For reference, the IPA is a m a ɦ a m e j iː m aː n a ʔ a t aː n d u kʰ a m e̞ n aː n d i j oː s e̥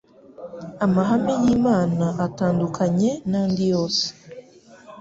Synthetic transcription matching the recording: a m a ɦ a m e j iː m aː n a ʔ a t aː n d u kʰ a ɲ e̞ n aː n d i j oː s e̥